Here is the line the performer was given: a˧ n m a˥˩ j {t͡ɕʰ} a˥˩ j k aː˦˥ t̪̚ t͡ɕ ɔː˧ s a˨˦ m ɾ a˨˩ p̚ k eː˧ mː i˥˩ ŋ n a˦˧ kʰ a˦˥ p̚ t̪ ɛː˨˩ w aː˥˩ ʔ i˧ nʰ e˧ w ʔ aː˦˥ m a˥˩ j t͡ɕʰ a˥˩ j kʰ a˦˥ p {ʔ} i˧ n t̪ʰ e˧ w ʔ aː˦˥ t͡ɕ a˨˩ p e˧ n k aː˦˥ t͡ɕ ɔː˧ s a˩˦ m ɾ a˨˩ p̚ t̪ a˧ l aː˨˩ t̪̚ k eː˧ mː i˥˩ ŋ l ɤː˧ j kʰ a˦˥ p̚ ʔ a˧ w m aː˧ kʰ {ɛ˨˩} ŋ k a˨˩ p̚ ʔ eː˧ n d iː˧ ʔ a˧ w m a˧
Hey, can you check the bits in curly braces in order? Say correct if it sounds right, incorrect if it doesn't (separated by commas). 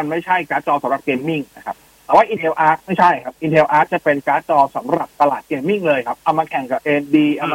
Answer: correct, correct, correct